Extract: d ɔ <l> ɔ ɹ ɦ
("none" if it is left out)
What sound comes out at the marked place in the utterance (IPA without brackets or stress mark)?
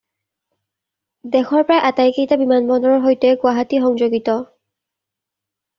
ɹ